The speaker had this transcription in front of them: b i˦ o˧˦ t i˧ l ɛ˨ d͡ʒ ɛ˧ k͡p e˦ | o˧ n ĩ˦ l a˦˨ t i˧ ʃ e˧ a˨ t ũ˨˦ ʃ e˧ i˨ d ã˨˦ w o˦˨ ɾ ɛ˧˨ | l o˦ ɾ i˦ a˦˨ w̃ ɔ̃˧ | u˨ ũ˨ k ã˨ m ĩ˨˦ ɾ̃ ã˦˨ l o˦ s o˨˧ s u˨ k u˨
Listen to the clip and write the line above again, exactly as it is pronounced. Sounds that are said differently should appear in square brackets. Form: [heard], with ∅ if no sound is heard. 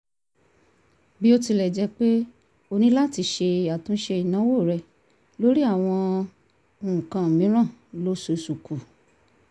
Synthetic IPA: b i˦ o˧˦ t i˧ l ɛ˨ d͡ʒ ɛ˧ k͡p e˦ | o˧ n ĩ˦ l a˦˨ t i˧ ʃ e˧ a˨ t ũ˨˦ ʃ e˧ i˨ [n] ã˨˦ w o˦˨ ɾ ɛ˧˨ | l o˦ ɾ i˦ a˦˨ w̃ ɔ̃˧ | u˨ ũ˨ k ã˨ m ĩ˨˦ ɾ̃ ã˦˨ l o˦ s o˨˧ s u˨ k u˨